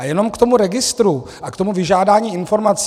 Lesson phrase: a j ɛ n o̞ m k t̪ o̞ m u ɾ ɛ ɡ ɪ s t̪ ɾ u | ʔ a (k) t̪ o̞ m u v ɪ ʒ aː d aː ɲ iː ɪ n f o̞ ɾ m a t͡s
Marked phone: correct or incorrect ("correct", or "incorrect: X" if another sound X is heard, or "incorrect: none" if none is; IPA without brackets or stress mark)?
correct